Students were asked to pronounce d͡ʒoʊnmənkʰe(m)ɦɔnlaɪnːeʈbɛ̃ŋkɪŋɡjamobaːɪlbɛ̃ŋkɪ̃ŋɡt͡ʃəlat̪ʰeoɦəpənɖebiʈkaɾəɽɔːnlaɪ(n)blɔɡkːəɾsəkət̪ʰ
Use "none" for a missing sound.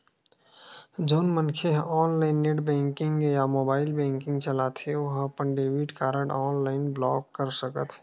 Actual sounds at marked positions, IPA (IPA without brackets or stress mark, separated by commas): none, n